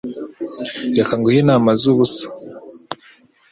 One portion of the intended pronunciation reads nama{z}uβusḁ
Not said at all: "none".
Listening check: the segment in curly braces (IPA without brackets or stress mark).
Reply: z